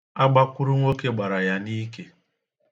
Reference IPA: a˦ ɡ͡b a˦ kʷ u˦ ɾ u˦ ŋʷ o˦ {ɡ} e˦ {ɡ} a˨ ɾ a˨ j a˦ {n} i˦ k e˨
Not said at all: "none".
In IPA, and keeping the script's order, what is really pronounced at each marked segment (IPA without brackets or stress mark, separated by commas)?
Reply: k, ɡ͡b, n